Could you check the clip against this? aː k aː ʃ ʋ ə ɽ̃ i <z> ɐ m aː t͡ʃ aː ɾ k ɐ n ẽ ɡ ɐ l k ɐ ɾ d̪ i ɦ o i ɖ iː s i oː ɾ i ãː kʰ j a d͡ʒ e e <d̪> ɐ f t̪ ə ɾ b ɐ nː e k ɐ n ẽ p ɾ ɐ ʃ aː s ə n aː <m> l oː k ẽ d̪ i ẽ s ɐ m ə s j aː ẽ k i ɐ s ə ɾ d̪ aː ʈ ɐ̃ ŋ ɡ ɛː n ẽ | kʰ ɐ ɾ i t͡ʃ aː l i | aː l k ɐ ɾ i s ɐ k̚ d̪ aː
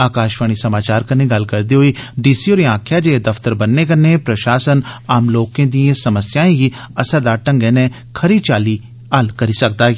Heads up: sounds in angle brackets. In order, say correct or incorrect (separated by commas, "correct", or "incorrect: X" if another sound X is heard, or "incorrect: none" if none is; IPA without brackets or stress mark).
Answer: incorrect: s, correct, correct